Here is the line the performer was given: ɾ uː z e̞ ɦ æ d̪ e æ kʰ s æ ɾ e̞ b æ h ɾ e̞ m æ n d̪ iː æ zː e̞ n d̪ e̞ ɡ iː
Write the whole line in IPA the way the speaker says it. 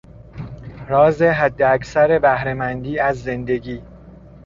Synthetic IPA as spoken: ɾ ɒː z e̞ ɦ æ d̪ː e æ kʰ s æ ɾ e̞ b æ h ɾ e̞ m æ n d̪ iː æ zː e̞ n d̪ e̞ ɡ iː